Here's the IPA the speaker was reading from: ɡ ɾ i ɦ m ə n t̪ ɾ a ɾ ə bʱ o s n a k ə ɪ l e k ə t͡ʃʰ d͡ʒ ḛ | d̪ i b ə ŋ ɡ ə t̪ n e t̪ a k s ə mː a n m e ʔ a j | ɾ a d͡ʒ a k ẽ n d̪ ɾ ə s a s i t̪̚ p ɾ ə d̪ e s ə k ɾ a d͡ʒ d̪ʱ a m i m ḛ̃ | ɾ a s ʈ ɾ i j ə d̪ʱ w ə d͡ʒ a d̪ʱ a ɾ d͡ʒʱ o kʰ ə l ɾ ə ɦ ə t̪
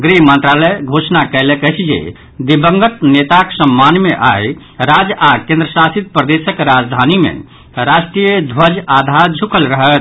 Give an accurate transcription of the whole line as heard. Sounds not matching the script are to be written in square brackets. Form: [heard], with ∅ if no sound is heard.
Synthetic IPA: ɡ ɾ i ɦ m ə n t̪ ɾ a [l] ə [ɡʱ] o s n a k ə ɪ l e k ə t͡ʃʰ d͡ʒ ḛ | d̪ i b ə ŋ ɡ ə t̪ n e t̪ a k s ə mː a n m e ʔ a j | ɾ a d͡ʒ a k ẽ n d̪ ɾ ə s a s i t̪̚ p ɾ ə d̪ e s ə k ɾ a d͡ʒ d̪ʱ a [n] i m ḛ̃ | ɾ a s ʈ ɾ i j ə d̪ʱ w ə d͡ʒ a d̪ʱ a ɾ d͡ʒʱ [u] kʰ ə l ɾ ə ɦ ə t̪